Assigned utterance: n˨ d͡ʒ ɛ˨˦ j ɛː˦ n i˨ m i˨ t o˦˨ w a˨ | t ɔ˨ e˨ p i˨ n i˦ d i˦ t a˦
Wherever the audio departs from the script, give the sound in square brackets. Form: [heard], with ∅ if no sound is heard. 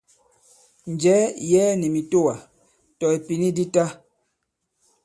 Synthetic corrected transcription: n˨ d͡ʒ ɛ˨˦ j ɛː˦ n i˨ m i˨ t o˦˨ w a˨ | t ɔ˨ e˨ p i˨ n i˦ d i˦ t a˦